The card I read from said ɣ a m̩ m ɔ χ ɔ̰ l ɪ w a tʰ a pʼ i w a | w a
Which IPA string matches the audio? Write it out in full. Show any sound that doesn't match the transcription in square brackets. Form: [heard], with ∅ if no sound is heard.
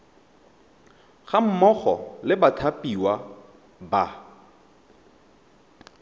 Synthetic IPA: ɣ a m̩ m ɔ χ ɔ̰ l ɪ [b] a tʰ a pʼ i w a | [b] a